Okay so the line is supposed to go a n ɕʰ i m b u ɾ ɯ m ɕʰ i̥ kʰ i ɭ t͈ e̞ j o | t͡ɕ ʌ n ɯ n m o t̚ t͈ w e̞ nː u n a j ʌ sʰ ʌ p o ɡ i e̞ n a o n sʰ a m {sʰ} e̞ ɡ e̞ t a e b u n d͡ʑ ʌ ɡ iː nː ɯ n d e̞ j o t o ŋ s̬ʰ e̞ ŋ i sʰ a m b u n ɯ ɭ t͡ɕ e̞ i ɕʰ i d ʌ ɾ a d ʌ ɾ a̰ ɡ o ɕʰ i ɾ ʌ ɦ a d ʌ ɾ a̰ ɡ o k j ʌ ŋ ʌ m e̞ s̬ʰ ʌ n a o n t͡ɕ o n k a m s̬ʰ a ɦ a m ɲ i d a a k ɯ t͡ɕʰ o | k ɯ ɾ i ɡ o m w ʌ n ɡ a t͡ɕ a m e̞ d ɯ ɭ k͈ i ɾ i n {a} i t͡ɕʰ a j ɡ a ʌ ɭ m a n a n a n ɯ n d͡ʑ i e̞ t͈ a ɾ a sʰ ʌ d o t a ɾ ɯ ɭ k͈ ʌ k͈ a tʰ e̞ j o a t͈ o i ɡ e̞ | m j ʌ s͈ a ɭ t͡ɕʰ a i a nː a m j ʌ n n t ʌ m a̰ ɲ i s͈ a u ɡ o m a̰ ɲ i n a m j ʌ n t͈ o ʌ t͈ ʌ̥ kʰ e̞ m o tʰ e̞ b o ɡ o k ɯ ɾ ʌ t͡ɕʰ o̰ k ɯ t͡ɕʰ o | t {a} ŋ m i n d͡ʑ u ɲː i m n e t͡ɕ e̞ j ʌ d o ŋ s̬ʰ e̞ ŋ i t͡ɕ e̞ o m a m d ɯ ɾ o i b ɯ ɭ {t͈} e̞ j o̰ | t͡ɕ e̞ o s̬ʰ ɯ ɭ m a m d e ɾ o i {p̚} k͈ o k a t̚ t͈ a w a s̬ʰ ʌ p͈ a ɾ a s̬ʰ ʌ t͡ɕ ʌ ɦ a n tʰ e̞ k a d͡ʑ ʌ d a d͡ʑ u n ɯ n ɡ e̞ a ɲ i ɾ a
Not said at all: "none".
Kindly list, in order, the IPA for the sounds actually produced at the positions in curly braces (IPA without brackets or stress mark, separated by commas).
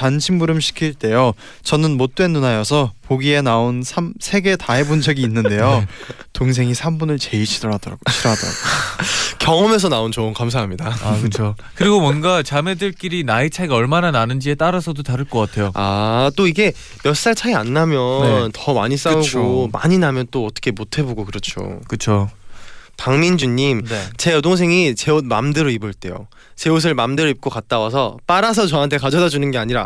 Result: sʰ, a, a, t͈, p̚